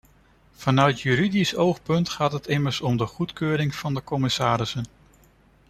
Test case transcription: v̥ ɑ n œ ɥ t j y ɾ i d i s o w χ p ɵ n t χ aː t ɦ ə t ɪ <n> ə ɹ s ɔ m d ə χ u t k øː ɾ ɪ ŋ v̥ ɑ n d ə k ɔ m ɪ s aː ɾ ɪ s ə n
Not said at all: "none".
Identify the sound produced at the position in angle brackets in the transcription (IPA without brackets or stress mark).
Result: m